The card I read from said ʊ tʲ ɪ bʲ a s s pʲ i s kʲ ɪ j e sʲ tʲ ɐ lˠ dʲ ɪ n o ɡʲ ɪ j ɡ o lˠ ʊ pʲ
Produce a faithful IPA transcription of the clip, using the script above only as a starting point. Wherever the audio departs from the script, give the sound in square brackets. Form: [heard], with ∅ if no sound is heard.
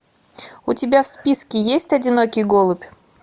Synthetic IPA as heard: ʊ tʲ ɪ bʲ a [f] s pʲ i s kʲ ɪ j e sʲ tʲ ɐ [∅] dʲ ɪ n o [kʲ] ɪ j ɡ o lˠ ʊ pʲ